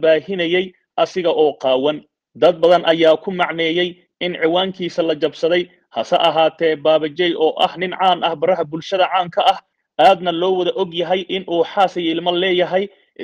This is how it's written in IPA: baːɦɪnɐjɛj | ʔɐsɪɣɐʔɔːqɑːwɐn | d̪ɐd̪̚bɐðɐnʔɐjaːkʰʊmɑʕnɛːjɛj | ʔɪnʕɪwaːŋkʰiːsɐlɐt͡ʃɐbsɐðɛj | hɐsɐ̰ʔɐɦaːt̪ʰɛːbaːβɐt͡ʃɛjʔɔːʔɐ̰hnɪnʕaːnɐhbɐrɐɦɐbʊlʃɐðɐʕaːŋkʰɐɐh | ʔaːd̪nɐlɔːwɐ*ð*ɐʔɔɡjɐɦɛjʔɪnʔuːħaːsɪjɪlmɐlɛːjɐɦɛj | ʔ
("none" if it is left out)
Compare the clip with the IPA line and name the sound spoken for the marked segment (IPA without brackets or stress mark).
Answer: ð